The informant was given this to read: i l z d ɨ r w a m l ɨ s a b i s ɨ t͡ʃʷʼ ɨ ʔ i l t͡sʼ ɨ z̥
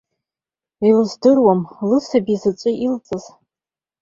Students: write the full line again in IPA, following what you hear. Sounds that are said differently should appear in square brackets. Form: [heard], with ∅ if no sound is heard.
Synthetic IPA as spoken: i l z d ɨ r w a m l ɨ s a b i [z] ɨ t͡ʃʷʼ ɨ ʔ i l t͡sʼ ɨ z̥